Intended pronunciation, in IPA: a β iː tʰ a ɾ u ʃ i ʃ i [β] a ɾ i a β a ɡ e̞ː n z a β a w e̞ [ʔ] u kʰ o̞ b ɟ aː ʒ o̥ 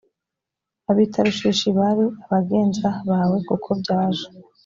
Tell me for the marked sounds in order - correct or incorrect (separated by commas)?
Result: correct, incorrect